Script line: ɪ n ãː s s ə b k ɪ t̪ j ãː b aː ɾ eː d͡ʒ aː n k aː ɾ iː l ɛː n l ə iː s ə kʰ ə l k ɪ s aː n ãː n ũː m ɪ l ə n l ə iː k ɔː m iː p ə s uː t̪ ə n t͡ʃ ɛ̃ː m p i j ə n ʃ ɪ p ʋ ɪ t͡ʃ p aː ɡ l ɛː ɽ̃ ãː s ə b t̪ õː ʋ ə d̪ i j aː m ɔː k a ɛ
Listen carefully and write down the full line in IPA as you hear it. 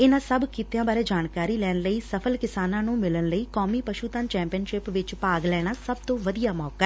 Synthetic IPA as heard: ɪ n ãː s s ə b k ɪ t̪ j ãː b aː ɾ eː d͡ʒ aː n k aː ɾ iː l ɛː n l ə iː s ə pʰ ə l k ɪ s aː n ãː n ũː m ɪ l ə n l ə iː k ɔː m iː p ə ʃ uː t̪ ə n t͡ʃ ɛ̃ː m p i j ə n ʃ ɪ p ʋ ɪ t͡ʃ p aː ɡ l ɛː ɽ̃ aː s ə b t̪ õː ʋ ə d̪ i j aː m ɔː k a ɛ

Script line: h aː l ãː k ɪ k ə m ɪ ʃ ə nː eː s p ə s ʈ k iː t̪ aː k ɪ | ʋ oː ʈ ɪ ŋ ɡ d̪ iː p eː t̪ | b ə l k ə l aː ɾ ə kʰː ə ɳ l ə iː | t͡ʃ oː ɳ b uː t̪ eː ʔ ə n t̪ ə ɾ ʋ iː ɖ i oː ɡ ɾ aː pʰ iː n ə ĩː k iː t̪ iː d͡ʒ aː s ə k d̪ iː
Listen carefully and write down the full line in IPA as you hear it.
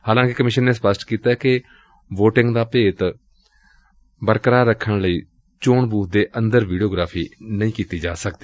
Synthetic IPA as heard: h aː l ãː k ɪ k ə m ɪ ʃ ə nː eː s p ə s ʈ k iː t̪ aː k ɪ | ʋ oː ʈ ɪ ŋ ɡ d̪ aː p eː t̪ | b ə ɾ k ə ɾ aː ɾ ə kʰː ə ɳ l ə iː | t͡ʃ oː ɳ b uː d̪ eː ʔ ə n d̪ ə ɾ ʋ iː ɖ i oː ɡ ɾ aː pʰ iː n ə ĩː k iː t̪ iː d͡ʒ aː s ə k d̪ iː

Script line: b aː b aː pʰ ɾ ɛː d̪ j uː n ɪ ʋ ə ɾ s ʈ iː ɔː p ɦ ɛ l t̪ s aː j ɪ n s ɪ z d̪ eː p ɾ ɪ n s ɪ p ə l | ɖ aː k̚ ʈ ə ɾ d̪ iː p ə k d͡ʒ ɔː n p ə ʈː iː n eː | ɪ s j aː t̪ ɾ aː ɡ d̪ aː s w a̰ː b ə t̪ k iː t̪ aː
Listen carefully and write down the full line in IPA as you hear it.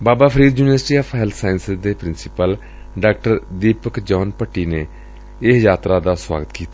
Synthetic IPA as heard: b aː b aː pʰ ɾ iː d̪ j uː n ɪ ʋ ə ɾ s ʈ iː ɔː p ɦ ɛ l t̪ s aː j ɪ n s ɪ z d̪ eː p ɾ ɪ n s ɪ p ə l | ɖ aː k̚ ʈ ə ɾ d̪ iː p ə k d͡ʒ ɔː n p ə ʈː iː n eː | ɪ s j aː t̪ ɾ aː d̪ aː s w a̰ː ɡ ə t̪ k iː t̪ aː

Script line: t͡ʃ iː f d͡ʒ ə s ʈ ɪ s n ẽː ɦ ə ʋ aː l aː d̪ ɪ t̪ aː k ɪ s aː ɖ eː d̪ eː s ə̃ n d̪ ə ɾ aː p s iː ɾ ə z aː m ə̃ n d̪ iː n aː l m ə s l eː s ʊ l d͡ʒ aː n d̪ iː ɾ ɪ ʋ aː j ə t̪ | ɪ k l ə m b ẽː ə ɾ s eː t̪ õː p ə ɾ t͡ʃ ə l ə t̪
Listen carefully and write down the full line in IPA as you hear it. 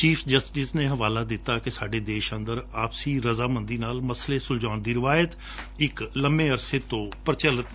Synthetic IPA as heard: t͡ʃ iː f d͡ʒ ə s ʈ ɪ s n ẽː ɦ ə ʋ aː l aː d̪ ɪ t̪ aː k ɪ s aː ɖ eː d̪ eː ʃ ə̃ n d̪ ə ɾ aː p s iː ɾ ə z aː m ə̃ n d̪ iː n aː l m ə s l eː s ʊ l d͡ʒ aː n d̪ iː ɾ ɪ ʋ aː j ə t̪ | ɪ k l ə m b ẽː ə ɾ s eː t̪ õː p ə ɾ t͡ʃ ə l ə t̪

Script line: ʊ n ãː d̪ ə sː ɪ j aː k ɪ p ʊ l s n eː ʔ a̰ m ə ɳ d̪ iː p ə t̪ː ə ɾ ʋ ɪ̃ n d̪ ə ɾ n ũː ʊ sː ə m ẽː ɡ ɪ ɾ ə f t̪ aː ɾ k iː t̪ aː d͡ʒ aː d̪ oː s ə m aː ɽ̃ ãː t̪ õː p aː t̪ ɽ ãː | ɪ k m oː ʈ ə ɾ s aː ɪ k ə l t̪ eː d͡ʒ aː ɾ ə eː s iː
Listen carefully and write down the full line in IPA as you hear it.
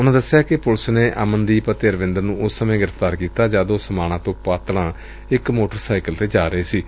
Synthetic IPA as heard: ʊ n ãː d̪ ə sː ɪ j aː k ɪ p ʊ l s n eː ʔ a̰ m ə n d̪ iː p ə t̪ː ə ɾ ʋ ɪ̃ n d̪ ə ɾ n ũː ʊ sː ə m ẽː ɡ ɪ ɾ ə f t̪ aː ɾ k iː t̪ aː d͡ʒ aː d̪ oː s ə m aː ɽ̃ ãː t̪ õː p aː t̪ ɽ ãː | ɪ k m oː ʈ ə ɾ s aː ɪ k ə l t̪ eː d͡ʒ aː ɾ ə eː s iː

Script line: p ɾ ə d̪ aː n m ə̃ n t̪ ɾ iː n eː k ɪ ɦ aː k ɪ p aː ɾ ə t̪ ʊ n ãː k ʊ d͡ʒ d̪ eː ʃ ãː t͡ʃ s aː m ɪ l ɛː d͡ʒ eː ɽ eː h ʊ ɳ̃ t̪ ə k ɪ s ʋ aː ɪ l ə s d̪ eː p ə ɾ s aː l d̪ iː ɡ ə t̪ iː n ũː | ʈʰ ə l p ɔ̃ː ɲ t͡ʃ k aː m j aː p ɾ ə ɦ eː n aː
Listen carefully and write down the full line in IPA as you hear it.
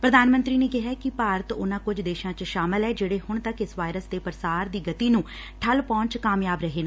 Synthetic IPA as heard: p ɾ ə d̪ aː n m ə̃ n t̪ ɾ iː n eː k ɪ ɦ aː k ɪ p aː ɾ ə t̪ ʊ n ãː k ʊ d͡ʒ d̪ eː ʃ ãː t͡ʃ ʃ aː m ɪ l ɛː d͡ʒ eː ɽ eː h ʊ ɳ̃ t̪ ə k ɪ s ʋ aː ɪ ɾ ə s d̪ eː p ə ɾ s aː ɾ d̪ iː ɡ ə t̪ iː n ũː | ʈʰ ə l p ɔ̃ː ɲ t͡ʃ k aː m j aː b ɾ ə ɦ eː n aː

